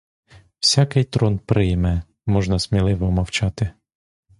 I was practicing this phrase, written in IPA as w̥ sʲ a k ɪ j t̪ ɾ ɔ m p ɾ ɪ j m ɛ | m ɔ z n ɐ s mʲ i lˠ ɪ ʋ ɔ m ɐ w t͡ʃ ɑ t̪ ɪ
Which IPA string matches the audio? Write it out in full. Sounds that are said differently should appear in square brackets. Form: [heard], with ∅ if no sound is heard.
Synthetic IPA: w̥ sʲ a k ɪ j t̪ ɾ ɔ [n] p ɾ ɪ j m ɛ | m ɔ [ʒ] n ɐ s mʲ i lˠ ɪ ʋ ɔ m ɐ w t͡ʃ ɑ t̪ ɪ